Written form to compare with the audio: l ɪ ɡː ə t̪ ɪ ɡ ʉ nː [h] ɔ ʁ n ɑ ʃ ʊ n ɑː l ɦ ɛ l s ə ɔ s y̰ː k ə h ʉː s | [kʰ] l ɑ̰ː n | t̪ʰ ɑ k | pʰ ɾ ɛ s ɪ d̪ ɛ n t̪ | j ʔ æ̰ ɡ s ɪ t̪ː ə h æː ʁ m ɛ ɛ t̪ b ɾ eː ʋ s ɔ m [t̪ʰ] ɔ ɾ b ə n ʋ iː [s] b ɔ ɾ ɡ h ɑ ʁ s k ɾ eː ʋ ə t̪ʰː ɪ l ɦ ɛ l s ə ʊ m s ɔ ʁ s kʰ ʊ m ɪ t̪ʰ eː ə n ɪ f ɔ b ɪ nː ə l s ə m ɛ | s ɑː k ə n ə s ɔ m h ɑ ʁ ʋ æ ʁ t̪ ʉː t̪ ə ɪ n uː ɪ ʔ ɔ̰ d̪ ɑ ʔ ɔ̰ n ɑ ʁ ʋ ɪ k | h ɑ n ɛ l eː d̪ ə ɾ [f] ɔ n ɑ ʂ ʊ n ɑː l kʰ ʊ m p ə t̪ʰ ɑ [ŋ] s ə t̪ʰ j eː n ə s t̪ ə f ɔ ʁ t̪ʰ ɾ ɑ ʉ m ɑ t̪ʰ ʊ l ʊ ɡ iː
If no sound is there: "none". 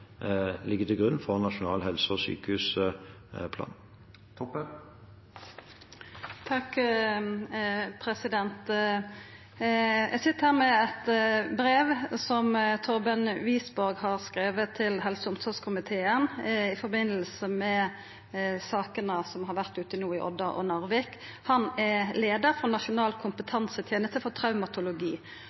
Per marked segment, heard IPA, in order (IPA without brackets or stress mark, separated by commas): f, pʰ, t̪ʰ, s, f, n